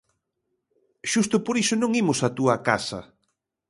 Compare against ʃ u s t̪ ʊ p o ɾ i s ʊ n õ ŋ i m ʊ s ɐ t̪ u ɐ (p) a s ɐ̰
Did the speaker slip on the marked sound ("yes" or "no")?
yes